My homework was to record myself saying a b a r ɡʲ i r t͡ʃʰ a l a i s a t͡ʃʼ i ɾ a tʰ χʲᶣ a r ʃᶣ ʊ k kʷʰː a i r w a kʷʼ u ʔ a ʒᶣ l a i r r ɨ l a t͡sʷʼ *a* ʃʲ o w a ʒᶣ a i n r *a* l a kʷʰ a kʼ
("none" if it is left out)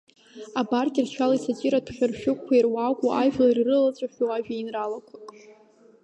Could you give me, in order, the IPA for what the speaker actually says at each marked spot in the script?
a, a

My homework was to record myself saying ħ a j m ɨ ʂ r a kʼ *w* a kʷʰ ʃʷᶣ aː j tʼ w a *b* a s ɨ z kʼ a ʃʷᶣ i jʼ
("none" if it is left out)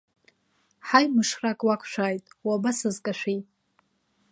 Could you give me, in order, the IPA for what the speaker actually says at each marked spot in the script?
w, b

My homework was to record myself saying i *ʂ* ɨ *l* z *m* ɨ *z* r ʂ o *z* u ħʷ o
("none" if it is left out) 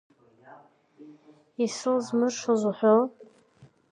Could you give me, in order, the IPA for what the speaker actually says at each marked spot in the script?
s, l, m, none, z

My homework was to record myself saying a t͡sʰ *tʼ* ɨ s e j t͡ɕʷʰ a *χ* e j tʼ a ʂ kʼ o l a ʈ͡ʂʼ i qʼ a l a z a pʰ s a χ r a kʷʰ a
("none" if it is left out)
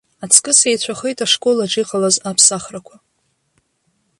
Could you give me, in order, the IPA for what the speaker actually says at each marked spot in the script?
kʼ, χ

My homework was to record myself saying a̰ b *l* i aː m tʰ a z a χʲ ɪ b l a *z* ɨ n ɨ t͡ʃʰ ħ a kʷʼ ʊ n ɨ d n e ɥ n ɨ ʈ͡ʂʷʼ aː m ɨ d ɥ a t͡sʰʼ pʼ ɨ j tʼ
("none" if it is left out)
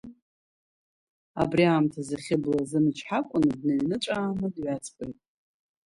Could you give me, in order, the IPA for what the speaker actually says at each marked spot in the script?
r, z

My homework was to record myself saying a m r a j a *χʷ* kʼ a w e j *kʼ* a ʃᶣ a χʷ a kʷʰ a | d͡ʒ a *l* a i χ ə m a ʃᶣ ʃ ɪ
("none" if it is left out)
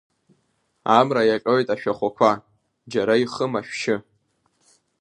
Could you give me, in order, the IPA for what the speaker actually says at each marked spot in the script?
none, tʼ, ɾ

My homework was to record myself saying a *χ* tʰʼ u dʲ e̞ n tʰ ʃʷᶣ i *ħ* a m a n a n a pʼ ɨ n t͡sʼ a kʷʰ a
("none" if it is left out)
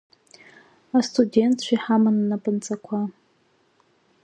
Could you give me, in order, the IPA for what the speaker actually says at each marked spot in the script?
s, ħ

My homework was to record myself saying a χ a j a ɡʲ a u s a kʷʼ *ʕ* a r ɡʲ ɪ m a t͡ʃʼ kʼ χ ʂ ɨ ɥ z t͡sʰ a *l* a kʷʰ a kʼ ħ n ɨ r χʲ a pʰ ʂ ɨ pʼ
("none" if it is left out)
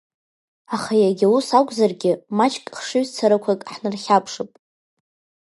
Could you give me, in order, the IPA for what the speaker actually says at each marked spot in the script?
z, ɾ

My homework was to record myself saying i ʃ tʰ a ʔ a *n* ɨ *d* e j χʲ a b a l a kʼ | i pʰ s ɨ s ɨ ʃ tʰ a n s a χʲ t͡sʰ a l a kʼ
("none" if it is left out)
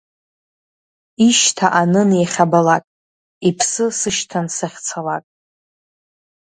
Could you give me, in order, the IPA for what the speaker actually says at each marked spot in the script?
n, n

